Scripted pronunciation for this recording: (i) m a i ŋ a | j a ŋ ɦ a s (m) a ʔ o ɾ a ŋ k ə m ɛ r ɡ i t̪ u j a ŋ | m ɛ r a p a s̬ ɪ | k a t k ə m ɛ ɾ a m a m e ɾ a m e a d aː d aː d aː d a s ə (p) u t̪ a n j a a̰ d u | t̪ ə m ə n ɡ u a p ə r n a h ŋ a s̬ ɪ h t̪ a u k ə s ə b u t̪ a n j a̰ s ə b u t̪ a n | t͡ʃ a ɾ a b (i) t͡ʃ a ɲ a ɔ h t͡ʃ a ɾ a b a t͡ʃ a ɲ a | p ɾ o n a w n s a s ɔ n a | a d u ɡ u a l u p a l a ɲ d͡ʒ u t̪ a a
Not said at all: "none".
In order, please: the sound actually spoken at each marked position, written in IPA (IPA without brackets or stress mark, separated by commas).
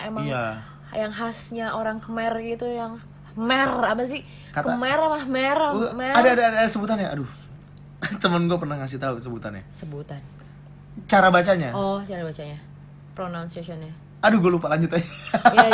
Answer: e, ɲ, b, a